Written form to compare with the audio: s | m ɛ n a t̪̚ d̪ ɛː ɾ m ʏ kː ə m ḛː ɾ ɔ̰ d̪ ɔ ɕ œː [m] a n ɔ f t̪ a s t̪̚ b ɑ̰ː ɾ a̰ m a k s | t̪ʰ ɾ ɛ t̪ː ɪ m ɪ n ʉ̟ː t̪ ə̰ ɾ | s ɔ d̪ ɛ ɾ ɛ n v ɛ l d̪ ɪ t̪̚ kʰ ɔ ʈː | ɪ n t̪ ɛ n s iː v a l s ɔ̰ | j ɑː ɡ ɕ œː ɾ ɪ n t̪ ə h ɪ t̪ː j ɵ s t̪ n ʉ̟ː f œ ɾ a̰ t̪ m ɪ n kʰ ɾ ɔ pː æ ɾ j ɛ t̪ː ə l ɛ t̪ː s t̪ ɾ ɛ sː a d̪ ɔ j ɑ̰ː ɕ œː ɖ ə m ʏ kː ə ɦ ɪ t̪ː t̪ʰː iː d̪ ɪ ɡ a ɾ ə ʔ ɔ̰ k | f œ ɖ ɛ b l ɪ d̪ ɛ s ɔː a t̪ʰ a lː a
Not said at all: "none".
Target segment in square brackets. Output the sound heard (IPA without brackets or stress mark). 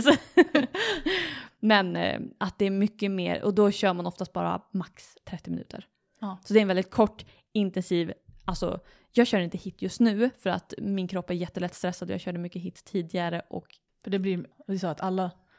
m